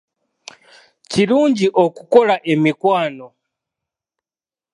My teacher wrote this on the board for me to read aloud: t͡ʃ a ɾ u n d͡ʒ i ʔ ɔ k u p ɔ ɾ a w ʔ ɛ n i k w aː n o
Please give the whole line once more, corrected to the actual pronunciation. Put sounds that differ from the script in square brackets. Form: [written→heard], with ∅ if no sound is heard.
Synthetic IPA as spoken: t͡ʃ [a→i] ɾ u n d͡ʒ i ʔ ɔ k u [p→k] ɔ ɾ a [w→∅] ʔ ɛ [n→m] i k w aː n [o→ɔ]